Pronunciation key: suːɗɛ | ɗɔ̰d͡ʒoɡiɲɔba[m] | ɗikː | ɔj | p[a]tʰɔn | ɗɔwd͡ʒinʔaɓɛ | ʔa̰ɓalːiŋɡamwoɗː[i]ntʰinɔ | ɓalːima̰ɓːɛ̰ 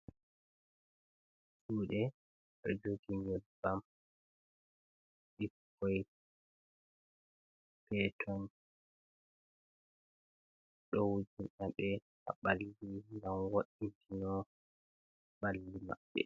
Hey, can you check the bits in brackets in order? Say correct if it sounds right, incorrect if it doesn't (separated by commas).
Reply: correct, incorrect, correct